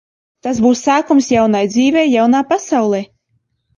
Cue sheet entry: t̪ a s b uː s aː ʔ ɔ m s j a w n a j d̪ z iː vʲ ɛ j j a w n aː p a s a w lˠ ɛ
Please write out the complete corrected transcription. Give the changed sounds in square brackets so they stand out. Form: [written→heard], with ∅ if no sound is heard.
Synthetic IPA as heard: t̪ a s b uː s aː [ʔ→k] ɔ m s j a w n a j d̪ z iː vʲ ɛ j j a w n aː p a s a w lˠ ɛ